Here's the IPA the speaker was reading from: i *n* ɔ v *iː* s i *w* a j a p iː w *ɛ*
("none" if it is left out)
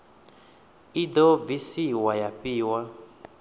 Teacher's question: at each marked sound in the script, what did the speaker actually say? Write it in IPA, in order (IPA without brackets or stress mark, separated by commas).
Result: d, i, w, a